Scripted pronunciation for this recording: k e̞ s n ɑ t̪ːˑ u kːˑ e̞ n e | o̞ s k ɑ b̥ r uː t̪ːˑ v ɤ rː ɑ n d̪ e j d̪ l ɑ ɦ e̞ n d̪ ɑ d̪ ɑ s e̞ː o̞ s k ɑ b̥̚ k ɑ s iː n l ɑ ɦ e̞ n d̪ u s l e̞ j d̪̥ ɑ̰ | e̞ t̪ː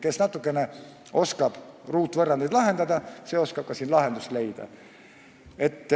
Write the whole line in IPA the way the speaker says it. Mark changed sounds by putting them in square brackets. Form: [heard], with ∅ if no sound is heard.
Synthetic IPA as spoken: k e̞ s n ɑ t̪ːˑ u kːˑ e̞ n e | o̞ s k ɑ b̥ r uː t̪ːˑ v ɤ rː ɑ n d̪ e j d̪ l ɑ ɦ e̞ n d̪ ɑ d̪ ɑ s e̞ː o̞ s k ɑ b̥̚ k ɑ s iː n l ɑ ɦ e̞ n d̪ u s l e̞ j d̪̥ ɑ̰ | e̞ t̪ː